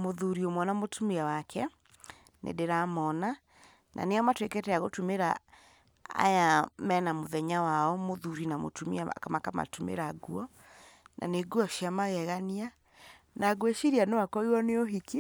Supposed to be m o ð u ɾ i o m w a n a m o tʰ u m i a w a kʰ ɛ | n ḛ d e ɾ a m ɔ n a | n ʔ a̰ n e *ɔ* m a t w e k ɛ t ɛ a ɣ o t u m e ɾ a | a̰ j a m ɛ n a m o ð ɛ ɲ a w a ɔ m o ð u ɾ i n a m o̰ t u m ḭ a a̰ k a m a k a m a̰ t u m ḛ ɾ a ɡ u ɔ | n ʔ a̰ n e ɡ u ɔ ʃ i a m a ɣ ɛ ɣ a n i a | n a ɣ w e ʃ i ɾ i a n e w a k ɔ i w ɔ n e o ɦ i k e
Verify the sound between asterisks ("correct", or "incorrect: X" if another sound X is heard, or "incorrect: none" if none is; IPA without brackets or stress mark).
correct